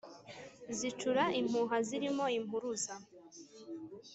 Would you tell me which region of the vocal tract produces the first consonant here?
tongue tip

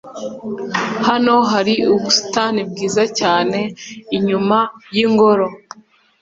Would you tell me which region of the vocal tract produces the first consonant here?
throat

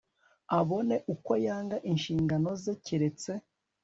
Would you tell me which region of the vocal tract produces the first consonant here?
lips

